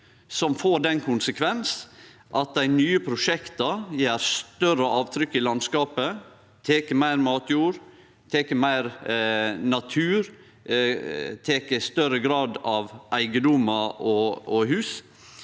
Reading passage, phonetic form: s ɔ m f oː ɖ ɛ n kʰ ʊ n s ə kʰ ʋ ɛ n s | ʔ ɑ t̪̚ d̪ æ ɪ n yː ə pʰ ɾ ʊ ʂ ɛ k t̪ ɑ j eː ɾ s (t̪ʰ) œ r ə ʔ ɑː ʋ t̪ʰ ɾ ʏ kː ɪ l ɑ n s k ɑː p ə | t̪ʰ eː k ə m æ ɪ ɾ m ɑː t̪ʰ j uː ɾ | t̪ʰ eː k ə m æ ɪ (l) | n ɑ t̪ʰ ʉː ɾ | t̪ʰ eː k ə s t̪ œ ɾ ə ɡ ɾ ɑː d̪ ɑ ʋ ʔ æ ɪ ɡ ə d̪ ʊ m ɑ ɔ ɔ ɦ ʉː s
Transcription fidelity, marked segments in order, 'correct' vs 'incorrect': incorrect: t̪, incorrect: ɾ

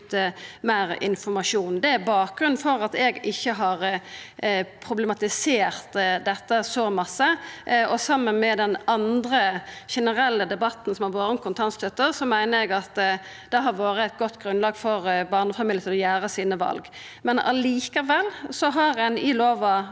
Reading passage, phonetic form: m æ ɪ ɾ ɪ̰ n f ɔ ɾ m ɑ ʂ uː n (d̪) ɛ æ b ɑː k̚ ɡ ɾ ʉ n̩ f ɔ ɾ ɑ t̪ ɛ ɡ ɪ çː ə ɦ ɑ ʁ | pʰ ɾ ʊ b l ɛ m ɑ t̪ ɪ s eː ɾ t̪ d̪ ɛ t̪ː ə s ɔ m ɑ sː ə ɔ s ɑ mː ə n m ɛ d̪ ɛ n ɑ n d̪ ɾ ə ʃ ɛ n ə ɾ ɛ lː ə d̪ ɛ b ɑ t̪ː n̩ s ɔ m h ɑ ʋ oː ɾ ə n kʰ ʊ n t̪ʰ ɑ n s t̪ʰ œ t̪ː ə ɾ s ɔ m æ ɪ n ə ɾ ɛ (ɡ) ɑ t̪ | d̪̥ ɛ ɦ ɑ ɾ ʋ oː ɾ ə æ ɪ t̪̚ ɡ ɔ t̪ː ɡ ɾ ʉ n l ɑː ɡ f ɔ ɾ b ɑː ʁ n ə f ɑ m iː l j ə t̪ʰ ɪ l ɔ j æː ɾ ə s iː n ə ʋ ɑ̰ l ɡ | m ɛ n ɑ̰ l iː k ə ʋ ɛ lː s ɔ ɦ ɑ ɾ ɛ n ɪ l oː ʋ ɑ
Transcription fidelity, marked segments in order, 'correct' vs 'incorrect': correct, correct

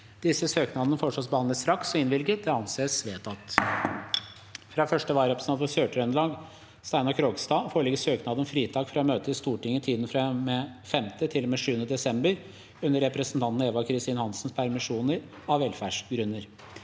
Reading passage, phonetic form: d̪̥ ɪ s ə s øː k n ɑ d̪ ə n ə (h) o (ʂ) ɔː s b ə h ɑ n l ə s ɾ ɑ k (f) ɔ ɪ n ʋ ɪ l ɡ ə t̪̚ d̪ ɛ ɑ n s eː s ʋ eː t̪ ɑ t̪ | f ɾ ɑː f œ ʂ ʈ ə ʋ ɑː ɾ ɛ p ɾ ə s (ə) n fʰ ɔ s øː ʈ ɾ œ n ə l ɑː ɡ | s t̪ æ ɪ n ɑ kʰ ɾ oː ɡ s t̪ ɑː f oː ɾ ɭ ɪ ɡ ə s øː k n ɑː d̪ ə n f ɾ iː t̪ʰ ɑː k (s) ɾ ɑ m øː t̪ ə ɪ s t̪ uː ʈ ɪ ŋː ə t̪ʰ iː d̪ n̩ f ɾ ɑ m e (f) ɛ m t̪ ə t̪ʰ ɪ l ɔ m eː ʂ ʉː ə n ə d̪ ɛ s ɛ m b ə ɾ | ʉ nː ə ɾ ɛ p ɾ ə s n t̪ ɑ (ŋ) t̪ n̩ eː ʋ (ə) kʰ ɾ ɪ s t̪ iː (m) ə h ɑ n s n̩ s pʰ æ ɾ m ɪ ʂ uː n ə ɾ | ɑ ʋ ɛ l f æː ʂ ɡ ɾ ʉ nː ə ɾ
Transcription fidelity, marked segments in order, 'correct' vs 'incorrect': incorrect: f, correct, incorrect: s, incorrect: ɑ, incorrect: f, correct, incorrect: n, incorrect: ɑ, incorrect: n

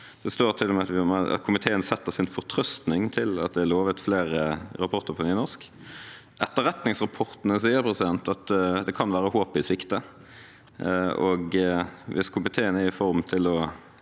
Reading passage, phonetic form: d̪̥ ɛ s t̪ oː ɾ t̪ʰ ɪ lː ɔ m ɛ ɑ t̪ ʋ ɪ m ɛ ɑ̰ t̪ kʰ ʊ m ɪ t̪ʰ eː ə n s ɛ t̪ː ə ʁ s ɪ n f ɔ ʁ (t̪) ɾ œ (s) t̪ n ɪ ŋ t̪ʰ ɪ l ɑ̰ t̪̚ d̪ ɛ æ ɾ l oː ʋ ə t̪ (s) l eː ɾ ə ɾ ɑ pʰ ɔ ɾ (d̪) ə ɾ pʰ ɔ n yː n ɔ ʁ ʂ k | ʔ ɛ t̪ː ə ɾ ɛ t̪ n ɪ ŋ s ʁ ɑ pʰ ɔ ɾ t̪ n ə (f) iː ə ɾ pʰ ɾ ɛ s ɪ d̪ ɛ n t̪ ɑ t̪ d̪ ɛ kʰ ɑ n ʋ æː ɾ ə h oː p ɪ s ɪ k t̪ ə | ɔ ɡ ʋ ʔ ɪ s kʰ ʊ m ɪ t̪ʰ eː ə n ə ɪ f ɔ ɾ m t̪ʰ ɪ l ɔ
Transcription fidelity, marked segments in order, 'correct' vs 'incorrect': incorrect: t̪ʰ, correct, incorrect: f, incorrect: t̪, incorrect: s

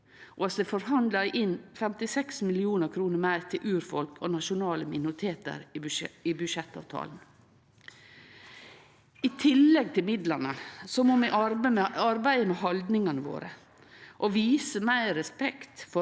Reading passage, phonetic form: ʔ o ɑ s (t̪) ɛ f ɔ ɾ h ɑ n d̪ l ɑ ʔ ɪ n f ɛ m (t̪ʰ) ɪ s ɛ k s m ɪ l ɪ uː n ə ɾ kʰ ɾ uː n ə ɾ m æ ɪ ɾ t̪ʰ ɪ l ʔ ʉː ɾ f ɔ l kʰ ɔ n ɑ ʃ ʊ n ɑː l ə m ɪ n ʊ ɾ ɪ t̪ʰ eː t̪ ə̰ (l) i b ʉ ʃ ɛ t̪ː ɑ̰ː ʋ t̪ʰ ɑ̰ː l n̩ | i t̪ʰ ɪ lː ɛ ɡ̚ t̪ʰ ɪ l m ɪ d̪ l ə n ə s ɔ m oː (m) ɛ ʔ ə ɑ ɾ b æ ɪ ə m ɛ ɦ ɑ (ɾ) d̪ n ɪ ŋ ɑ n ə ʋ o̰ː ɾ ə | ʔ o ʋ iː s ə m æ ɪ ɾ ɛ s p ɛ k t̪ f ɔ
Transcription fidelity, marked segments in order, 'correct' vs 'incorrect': incorrect: d̪, incorrect: t̪, incorrect: ɾ, correct, incorrect: l

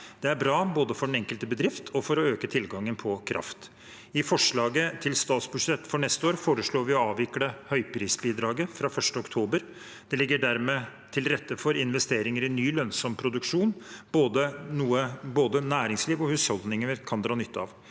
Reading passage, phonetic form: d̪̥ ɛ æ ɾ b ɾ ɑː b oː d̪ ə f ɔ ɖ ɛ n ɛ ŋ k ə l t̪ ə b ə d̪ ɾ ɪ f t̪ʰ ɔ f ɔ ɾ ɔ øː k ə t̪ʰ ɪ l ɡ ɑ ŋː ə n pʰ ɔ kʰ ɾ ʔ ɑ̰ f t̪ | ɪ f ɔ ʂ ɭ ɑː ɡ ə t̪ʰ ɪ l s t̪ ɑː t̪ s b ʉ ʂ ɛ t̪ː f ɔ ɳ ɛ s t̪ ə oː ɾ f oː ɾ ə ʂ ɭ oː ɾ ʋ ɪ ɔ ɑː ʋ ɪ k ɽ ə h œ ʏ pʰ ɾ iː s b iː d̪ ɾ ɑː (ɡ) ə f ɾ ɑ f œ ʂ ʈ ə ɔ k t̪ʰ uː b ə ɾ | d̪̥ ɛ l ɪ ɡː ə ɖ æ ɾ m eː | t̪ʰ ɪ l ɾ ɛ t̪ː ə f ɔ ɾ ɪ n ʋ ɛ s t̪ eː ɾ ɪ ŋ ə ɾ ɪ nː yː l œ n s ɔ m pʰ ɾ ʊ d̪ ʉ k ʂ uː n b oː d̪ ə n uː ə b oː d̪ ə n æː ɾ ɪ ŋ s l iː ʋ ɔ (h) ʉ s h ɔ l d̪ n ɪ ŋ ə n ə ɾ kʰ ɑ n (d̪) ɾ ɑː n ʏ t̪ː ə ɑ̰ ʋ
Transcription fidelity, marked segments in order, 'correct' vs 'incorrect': correct, correct, correct

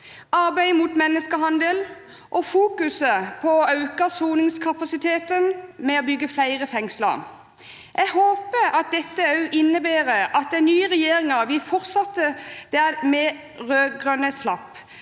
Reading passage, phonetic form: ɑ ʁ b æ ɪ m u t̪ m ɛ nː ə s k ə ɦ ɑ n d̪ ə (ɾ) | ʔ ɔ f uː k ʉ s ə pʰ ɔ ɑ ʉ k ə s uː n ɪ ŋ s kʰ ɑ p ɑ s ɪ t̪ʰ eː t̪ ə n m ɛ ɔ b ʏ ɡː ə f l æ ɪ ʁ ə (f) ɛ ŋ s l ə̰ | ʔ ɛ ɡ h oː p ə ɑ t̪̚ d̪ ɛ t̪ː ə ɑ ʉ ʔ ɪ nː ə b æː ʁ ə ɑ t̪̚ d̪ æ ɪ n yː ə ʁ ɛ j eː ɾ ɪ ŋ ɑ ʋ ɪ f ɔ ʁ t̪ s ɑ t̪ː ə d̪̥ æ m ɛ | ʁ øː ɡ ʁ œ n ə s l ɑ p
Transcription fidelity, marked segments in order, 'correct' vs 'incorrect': incorrect: l, correct

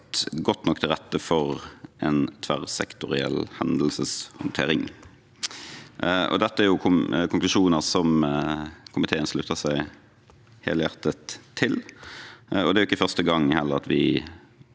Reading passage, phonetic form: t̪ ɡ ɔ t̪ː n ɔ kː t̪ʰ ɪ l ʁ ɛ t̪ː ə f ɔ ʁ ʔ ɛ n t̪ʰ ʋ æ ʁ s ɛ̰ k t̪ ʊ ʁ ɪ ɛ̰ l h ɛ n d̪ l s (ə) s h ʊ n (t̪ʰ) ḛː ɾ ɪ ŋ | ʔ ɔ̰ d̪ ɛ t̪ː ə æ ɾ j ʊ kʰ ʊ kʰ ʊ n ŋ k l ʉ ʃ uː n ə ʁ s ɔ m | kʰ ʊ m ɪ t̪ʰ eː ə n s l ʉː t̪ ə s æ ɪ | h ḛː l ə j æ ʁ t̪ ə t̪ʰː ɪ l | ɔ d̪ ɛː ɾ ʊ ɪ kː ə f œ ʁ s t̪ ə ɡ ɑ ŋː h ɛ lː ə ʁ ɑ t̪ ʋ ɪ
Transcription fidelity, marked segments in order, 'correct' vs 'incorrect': correct, correct

